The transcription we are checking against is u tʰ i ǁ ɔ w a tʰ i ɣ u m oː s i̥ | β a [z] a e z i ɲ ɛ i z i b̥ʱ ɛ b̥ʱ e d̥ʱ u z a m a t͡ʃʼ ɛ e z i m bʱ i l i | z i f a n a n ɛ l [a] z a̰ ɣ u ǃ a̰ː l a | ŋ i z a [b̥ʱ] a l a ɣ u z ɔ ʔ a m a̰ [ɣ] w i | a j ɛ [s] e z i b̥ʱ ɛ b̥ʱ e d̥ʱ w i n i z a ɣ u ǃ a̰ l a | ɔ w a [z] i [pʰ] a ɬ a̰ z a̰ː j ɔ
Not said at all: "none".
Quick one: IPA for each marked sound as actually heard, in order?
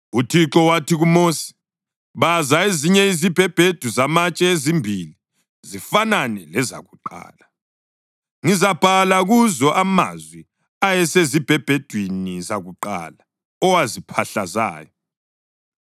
z, ɛ, b̥ʱ, z, s, z, pʰ

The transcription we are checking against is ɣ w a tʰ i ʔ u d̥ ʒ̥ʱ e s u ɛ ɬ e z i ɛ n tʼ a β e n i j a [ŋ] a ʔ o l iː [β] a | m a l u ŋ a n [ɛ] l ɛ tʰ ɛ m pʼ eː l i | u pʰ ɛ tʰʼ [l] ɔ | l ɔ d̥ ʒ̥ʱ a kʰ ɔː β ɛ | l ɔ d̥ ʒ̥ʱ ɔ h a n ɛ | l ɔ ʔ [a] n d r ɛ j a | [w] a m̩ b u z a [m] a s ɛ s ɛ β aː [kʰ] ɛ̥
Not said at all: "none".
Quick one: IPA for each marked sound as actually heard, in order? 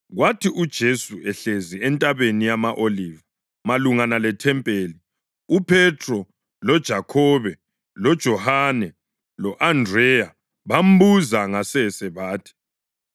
m, v, a, r, a, β, ŋ, tʰ

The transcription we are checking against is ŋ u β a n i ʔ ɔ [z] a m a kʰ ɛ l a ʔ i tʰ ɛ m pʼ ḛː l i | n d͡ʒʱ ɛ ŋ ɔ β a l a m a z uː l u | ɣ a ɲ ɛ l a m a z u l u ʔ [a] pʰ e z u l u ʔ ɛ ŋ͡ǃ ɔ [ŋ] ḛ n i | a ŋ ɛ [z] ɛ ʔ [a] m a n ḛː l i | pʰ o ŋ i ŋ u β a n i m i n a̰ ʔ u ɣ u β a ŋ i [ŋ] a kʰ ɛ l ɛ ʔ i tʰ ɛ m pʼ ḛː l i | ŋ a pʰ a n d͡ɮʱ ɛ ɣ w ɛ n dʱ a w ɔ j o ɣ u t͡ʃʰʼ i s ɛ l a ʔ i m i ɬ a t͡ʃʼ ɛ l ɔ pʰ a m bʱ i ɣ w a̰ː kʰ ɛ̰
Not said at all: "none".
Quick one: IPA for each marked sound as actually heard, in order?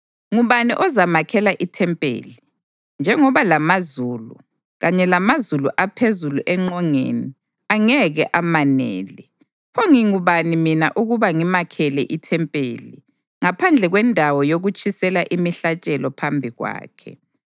z, a, ŋ, ɣ, a, m

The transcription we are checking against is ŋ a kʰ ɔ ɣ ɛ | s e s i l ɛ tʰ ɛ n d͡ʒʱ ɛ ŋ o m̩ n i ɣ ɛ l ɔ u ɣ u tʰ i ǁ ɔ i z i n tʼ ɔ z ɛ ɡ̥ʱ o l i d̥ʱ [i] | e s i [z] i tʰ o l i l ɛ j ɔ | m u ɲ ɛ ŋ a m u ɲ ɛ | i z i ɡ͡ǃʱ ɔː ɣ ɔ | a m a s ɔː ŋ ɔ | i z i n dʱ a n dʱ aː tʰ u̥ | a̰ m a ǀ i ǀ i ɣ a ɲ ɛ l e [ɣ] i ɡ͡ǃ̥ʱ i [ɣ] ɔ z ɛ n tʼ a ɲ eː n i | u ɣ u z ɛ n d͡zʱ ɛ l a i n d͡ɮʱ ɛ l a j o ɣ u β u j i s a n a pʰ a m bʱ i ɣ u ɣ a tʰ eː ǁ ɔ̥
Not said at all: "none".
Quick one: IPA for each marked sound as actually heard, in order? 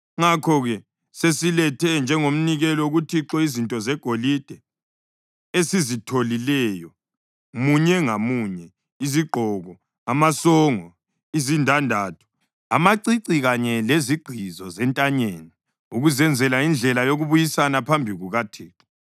ɛ, z, z, z

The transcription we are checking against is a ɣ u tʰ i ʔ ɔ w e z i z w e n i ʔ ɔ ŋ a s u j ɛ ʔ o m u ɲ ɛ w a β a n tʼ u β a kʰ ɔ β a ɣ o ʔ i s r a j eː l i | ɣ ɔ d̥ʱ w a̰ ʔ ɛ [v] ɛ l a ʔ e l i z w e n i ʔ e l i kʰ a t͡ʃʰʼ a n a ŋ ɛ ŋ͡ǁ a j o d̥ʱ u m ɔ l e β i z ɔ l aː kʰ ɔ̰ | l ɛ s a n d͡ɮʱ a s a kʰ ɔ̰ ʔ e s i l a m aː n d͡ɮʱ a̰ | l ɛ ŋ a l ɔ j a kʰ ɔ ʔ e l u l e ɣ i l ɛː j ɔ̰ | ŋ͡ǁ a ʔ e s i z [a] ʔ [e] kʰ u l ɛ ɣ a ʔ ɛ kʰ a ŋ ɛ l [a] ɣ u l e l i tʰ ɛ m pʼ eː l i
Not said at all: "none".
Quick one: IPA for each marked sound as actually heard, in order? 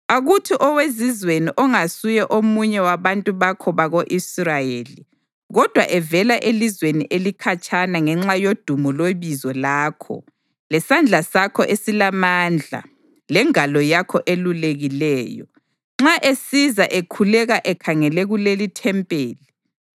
v, a, e, ɛ

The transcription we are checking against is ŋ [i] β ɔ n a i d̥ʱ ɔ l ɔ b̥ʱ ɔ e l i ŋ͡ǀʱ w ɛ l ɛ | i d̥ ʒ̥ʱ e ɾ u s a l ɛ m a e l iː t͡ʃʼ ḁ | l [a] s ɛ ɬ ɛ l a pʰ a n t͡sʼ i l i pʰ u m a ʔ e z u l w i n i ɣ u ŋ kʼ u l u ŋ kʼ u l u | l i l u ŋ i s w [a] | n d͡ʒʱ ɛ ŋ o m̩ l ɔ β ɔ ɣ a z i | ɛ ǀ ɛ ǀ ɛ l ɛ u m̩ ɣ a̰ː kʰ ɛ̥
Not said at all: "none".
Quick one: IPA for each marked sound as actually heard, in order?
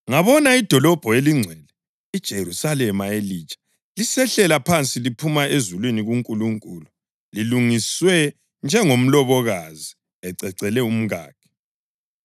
a, i, ɛ

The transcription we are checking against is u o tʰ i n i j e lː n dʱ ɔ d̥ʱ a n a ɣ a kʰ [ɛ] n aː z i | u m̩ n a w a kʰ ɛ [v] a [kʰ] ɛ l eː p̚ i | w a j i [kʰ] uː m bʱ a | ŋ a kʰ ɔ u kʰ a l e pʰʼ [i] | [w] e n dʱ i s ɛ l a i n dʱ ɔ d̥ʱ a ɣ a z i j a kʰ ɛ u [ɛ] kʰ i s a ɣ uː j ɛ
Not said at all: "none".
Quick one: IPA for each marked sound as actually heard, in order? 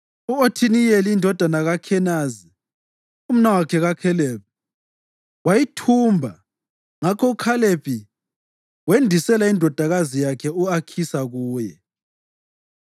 ɛ, ɣ, kʰ, tʰ, i, w, a

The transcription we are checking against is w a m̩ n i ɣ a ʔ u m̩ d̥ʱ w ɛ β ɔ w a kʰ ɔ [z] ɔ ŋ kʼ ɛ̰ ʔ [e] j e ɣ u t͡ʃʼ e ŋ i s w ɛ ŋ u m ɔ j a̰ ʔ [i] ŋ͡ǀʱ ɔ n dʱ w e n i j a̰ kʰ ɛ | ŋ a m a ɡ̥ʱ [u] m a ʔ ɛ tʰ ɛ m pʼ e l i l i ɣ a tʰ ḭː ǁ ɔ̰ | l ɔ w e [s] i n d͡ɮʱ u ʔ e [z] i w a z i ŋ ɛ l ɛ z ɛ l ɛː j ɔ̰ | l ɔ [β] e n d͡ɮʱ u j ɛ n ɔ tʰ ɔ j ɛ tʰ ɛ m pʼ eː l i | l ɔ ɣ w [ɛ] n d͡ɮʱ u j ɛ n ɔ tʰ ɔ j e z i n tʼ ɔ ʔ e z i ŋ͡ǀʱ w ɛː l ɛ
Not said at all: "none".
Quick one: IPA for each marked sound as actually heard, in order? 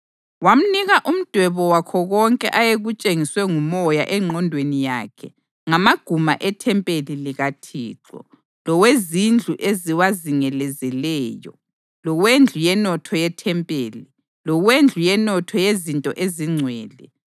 ɣ, a, ɛ, u, z, z, w, e

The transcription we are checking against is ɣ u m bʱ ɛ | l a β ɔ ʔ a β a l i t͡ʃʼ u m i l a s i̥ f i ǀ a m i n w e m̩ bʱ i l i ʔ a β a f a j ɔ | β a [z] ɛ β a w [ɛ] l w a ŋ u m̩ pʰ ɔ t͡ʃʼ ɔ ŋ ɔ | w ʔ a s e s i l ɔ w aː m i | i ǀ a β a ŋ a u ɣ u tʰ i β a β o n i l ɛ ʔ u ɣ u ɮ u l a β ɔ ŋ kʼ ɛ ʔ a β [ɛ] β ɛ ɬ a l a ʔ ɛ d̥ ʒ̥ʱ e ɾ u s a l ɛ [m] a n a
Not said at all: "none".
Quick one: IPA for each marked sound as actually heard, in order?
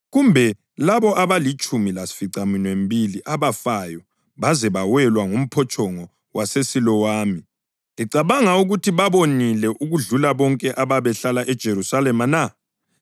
z, ɛ, a, m

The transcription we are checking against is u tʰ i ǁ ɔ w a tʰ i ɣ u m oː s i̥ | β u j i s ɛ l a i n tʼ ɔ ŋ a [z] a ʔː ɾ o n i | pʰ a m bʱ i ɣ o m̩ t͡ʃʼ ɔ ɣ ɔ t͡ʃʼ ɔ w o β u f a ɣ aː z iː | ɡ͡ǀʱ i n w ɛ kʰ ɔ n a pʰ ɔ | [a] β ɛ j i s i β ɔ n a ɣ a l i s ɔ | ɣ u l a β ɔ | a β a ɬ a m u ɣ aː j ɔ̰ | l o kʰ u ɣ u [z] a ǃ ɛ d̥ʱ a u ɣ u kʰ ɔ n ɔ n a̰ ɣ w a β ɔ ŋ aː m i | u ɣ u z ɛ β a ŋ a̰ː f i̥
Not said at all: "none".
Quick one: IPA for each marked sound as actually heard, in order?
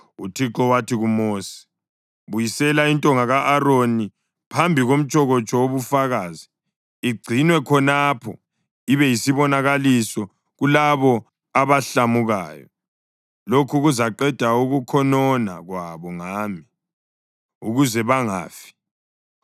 ɣ, i, z

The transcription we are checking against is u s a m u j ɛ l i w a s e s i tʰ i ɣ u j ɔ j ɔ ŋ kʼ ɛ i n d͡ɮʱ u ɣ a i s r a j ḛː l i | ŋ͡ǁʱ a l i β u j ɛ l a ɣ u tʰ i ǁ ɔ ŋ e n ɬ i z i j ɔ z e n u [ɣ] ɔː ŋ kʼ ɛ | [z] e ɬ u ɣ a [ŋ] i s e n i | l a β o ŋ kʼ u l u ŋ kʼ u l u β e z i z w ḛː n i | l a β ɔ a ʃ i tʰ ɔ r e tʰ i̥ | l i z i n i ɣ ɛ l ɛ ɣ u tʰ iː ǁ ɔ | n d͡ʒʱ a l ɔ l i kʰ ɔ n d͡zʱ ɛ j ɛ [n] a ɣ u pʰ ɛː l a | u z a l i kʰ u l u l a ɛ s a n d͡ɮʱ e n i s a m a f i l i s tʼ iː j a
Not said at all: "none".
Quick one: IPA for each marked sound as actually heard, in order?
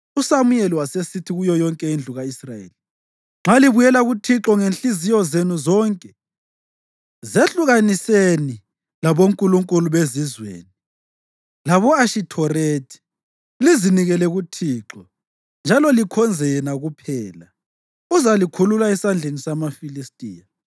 z, z, n, n

